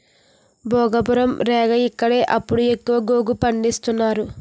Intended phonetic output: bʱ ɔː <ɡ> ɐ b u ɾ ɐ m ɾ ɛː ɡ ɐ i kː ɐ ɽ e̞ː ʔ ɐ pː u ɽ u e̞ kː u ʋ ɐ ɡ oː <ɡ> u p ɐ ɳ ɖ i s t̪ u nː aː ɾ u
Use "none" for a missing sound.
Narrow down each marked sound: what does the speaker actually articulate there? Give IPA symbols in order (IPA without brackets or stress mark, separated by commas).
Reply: ɡ, ɡ